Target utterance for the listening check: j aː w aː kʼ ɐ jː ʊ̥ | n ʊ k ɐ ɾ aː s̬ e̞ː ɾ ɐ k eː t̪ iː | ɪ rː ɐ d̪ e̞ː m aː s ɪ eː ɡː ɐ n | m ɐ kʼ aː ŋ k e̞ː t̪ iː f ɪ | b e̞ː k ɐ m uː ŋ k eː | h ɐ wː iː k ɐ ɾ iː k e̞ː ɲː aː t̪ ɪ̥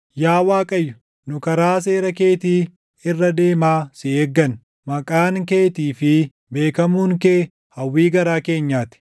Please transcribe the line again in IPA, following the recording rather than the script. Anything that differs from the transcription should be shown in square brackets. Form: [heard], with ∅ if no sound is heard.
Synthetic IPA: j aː w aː kʼ ɐ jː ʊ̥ | n ʊ k ɐ ɾ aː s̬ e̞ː ɾ ɐ k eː t̪ iː | ɪ rː ɐ d̪ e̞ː m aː s ɪ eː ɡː ɐ n | m ɐ kʼ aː ŋ k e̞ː t̪ iː f ɪ | b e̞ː k ɐ m uː ŋ k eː | h ɐ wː iː [ɡ] ɐ ɾ [aː] k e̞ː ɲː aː t̪ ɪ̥

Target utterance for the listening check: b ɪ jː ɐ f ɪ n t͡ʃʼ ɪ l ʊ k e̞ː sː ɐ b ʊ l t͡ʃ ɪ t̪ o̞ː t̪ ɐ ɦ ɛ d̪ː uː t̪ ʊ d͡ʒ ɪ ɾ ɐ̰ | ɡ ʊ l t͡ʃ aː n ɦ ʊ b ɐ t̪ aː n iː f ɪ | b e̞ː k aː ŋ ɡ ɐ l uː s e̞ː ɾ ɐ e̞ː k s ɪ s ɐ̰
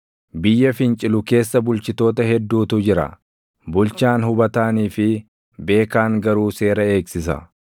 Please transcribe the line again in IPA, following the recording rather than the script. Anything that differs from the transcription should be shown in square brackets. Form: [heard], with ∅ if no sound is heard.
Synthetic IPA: b ɪ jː ɐ f ɪ n t͡ʃʼ ɪ l ʊ k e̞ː sː ɐ b ʊ l t͡ʃ ɪ t̪ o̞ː t̪ ɐ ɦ ɛ d̪ː uː t̪ ʊ d͡ʒ ɪ ɾ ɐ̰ | [b] ʊ l t͡ʃ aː n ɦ ʊ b ɐ t̪ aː n iː f ɪ | b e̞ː k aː ŋ ɡ ɐ [ɾ] uː s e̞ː ɾ ɐ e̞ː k s ɪ s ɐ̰

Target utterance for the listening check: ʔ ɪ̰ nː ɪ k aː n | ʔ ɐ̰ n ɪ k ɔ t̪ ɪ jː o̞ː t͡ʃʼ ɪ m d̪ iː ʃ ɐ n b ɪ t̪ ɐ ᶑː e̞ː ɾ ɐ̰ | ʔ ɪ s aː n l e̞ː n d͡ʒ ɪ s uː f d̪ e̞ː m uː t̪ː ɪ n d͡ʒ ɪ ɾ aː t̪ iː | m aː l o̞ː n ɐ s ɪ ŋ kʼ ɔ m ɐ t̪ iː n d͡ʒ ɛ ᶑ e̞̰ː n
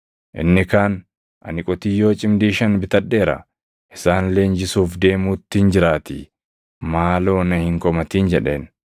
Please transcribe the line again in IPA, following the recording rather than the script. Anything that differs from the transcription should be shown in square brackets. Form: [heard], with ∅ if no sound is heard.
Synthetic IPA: ʔ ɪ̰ nː ɪ k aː n | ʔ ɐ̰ n ɪ [kʼ] ɔ t̪ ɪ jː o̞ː t͡ʃʼ ɪ m d̪ iː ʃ ɐ n b ɪ t̪ ɐ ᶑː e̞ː ɾ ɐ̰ | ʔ ɪ s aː n l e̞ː n d͡ʒ ɪ s uː f d̪ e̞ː m uː t̪ː ɪ n d͡ʒ ɪ ɾ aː t̪ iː | m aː l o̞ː n ɐ [h] ɪ ŋ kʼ ɔ m ɐ t̪ iː n d͡ʒ ɛ ᶑ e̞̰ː n

